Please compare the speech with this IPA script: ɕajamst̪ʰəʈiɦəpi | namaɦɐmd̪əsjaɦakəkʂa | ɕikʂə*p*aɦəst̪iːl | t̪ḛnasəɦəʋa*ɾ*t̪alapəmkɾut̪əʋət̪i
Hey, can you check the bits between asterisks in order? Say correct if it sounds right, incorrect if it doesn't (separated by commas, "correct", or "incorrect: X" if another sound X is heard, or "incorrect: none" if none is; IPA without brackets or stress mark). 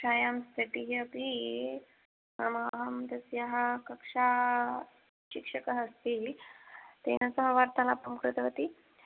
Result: incorrect: k, correct